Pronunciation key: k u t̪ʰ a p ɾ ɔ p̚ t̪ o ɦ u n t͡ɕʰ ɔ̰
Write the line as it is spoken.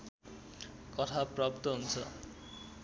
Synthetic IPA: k ɔ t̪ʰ a p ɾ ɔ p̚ t̪ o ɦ u n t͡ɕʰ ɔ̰